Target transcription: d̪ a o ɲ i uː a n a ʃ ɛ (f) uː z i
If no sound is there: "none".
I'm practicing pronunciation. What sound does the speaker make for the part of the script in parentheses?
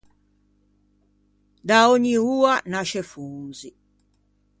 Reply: f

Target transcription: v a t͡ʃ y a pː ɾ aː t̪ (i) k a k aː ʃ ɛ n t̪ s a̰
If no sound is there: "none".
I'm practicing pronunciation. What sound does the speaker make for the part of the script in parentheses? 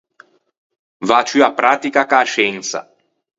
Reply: i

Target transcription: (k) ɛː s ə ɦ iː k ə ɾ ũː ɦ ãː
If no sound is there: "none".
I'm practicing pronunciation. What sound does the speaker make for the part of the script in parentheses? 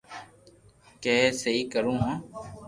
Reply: k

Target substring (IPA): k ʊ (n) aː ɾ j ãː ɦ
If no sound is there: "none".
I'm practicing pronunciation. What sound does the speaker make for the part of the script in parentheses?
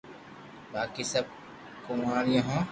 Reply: m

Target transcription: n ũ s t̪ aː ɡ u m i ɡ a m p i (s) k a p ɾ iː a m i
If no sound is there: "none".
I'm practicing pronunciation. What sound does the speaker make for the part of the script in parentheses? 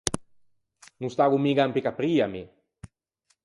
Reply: none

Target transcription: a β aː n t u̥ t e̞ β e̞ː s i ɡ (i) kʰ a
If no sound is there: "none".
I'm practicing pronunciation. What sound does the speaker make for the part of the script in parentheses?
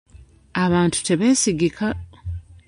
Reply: i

